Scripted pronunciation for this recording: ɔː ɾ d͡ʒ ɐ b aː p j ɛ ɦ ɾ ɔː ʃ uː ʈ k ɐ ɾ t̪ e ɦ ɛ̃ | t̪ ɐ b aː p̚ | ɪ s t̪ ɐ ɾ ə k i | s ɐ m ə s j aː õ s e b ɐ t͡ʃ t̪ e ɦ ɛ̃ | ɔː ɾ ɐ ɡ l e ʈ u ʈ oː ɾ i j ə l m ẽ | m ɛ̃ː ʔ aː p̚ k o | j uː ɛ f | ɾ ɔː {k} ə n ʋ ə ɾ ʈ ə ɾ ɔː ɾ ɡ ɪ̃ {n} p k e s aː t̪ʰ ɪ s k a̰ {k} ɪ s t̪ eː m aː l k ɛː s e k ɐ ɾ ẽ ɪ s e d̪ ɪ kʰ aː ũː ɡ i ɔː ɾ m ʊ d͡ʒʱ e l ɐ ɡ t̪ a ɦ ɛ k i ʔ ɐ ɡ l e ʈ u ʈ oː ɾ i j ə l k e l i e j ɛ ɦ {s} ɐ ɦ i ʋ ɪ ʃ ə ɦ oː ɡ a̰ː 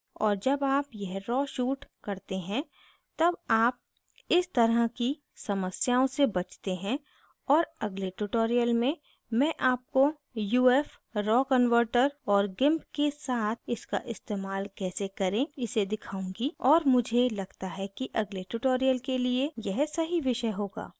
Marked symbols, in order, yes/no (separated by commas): yes, no, no, yes